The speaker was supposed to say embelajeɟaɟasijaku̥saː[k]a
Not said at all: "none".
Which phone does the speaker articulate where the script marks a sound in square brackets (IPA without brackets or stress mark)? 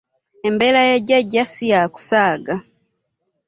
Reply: ɡ